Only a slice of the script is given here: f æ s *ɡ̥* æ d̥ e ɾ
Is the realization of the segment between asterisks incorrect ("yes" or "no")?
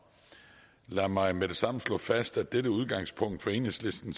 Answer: yes